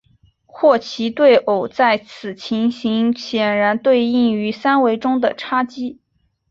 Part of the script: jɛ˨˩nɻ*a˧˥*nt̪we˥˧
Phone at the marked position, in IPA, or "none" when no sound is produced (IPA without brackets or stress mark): a˧˥